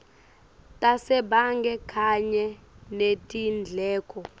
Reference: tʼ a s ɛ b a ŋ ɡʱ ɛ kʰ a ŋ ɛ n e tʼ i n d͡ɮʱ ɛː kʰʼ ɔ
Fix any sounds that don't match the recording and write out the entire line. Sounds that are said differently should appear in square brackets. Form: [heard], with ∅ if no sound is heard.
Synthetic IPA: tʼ a s ɛ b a ŋ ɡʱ ɛ kʰ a [ɲ] ɛ n e tʼ i n d͡ɮʱ ɛː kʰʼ ɔ